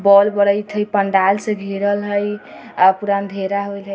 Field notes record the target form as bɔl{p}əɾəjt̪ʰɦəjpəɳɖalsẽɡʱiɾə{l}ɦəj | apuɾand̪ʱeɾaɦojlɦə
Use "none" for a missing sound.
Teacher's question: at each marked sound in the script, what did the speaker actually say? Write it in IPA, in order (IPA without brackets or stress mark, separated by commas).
b, l